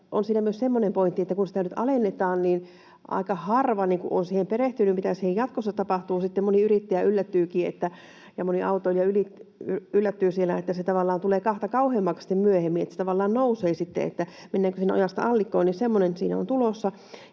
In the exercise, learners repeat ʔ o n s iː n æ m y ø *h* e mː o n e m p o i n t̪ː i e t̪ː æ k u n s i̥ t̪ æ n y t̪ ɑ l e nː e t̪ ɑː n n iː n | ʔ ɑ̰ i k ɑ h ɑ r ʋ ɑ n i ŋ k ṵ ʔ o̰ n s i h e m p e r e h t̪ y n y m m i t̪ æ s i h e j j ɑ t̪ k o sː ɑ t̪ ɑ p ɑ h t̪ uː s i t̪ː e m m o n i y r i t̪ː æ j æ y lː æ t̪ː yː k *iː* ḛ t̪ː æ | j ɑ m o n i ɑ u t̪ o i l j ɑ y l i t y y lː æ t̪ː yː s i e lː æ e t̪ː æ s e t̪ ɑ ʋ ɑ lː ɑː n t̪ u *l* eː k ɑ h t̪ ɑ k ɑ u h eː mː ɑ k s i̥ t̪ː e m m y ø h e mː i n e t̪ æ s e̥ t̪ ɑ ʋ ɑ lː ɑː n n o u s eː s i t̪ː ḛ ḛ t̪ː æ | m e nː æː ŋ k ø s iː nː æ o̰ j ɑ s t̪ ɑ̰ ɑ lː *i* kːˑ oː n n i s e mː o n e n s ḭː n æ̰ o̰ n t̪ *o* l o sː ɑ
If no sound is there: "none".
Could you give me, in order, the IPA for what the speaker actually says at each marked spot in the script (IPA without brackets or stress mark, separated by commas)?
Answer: s, iː, l, i, u